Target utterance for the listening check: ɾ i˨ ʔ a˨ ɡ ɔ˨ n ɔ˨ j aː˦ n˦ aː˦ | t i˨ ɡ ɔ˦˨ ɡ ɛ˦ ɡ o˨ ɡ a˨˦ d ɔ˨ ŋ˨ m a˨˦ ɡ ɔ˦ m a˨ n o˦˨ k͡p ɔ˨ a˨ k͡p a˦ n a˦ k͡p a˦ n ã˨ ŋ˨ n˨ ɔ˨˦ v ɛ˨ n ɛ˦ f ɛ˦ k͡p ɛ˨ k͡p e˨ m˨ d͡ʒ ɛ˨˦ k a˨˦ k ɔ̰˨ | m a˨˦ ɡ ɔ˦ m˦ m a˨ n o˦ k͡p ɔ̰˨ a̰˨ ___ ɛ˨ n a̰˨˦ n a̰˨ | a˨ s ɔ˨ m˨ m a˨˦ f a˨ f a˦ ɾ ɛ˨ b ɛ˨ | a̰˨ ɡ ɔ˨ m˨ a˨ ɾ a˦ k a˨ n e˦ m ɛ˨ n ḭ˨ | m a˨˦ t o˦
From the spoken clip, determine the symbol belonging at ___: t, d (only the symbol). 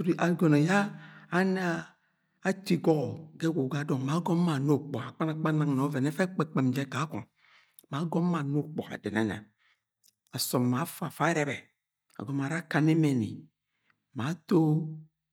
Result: d